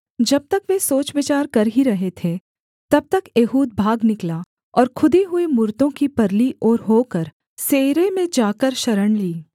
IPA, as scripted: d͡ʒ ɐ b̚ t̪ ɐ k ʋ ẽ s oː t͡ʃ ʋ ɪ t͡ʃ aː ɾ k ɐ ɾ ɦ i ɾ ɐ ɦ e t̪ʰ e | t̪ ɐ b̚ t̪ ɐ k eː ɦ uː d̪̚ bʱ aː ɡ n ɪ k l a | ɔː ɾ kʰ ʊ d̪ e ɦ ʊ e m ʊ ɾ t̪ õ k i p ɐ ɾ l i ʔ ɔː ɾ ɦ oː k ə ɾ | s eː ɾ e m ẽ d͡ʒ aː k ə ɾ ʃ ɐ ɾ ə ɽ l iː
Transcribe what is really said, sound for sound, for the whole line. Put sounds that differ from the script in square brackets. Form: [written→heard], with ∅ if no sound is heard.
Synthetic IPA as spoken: d͡ʒ ɐ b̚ t̪ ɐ k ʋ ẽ s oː t͡ʃ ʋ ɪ t͡ʃ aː ɾ k ɐ ɾ ɦ i ɾ ɐ ɦ e t̪ʰ e | t̪ ɐ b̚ t̪ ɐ k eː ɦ uː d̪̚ bʱ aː ɡ n ɪ k l a | ɔː ɾ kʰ ʊ d̪ e ɦ ʊ e m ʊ ɾ t̪ õ k i p ɐ ɾ l i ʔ ɔː ɾ ɦ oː k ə ɾ | s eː ɾ e m ẽ d͡ʒ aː k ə ɾ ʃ ɐ ɾ ə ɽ l iː